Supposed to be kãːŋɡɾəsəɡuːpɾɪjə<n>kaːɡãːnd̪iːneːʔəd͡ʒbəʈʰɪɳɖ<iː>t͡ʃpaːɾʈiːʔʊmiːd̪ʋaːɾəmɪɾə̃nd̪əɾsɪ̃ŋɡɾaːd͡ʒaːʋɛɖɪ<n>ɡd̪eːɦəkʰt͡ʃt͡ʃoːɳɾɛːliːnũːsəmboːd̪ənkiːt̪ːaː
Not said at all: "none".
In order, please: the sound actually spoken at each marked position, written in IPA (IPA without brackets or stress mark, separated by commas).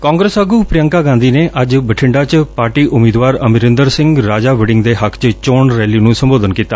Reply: ŋ, aː, ŋ